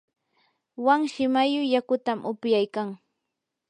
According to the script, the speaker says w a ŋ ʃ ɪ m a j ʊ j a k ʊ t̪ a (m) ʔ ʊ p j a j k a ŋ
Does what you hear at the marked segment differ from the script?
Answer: no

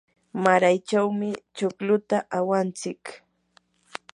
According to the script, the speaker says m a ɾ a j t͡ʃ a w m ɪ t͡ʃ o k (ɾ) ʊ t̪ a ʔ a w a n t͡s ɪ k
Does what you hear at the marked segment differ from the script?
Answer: yes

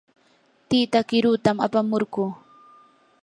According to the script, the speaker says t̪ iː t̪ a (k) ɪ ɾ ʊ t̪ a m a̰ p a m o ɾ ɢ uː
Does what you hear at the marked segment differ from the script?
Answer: no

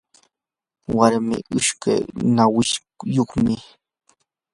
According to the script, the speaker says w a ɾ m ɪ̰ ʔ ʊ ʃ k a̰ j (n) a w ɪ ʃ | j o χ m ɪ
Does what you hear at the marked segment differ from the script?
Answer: no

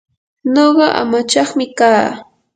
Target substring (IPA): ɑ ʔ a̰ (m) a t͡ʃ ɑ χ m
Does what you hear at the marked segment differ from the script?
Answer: no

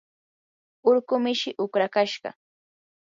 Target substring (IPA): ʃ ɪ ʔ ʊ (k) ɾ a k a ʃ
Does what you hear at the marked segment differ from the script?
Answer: no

